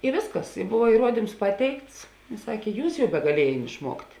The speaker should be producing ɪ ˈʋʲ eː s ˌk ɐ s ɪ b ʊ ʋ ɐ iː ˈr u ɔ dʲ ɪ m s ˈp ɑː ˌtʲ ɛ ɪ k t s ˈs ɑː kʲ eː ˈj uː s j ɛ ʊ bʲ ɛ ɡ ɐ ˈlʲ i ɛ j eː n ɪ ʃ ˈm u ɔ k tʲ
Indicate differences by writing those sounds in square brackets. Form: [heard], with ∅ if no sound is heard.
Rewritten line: ɪ ˈʋʲ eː s ˌk ɐ s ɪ b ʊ ʋ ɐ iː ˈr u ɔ dʲ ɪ m s ˈp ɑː ˌtʲ ɛ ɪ k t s ˈs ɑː kʲ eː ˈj uː s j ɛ ʊ bʲ ɛ ɡ ɐ ˈlʲ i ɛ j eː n ɪ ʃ ˈm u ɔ k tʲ